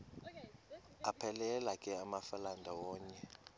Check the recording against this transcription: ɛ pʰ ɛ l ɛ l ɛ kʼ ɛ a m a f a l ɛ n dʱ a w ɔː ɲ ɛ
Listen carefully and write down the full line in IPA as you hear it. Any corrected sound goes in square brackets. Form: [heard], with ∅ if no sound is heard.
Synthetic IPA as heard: [a] pʰ ɛ l ɛ l [a] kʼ ɛ a m a f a l [a] n dʱ a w ɔː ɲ ɛ